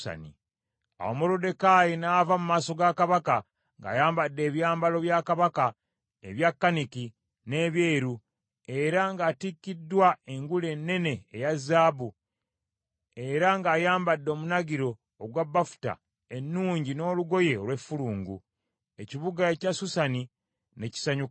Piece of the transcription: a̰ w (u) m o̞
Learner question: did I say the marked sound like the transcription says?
no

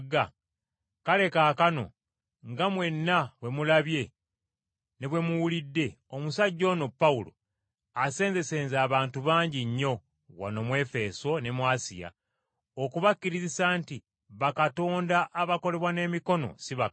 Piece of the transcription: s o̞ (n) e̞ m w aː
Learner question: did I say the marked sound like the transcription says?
yes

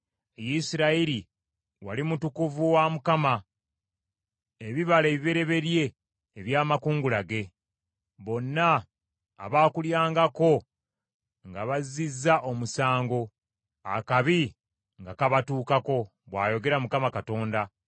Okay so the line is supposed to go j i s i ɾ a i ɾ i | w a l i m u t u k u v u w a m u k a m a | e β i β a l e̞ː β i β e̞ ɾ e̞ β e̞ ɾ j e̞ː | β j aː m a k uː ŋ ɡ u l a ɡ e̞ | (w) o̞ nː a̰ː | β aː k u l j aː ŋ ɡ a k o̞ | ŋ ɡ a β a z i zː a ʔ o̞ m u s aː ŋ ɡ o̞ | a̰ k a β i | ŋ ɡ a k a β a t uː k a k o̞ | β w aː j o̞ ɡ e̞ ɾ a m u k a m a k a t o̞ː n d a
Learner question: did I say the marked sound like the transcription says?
no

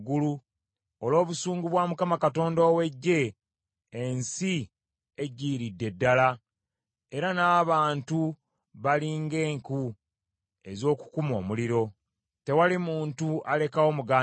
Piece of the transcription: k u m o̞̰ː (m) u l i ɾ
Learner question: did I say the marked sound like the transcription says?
yes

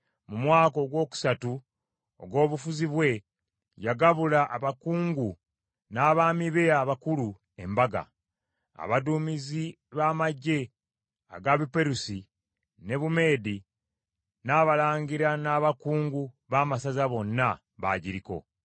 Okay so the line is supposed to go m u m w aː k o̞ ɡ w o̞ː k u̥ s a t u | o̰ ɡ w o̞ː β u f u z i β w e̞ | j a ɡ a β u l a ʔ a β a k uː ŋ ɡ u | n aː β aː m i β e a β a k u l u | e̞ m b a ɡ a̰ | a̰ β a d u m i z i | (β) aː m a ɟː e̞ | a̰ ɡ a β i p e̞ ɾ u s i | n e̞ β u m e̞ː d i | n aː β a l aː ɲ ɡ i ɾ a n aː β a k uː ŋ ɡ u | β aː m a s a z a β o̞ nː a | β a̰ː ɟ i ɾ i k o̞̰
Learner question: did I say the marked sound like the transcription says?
yes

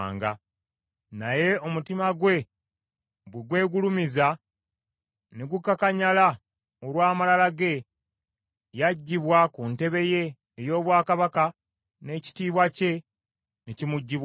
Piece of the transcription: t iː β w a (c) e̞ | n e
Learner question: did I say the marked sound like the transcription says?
yes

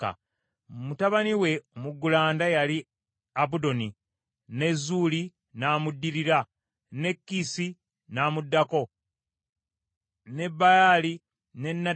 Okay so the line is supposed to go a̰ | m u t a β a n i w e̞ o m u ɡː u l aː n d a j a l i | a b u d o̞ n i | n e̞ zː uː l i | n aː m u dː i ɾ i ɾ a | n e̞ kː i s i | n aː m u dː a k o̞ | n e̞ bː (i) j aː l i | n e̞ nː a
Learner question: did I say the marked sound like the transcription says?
no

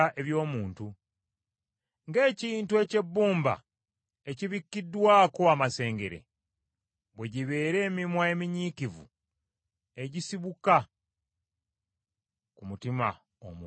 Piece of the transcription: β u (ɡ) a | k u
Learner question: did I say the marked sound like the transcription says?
no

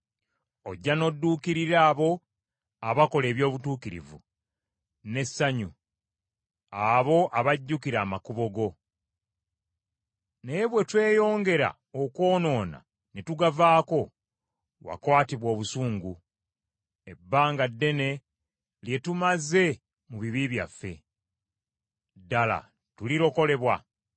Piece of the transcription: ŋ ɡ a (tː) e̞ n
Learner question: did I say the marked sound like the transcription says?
no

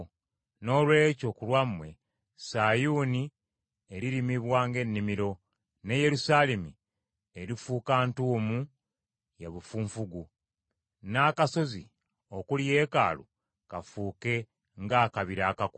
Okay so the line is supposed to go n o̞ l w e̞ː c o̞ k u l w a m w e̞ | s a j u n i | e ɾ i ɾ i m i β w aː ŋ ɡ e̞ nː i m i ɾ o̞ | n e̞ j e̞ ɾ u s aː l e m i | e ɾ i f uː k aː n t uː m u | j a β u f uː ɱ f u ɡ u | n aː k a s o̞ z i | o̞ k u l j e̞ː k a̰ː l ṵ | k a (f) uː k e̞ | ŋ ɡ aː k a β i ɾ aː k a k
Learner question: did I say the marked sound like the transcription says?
yes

